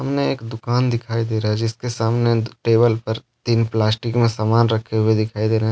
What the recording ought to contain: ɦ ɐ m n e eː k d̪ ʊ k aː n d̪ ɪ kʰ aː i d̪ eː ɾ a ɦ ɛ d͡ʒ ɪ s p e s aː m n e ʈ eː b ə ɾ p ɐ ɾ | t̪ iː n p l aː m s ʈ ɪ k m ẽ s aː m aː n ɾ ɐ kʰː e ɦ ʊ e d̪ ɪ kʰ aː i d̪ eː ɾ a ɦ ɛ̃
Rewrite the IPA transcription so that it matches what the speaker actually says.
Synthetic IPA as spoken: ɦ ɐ m n e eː k d̪ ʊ k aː n d̪ ɪ kʰ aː i d̪ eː ɾ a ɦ ɛ d͡ʒ ɪ s k e s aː m n e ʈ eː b ə l p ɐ ɾ | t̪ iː n p l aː s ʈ ɪ k m ẽ s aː m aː n ɾ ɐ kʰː e ɦ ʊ e d̪ ɪ kʰ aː i d̪ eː ɾ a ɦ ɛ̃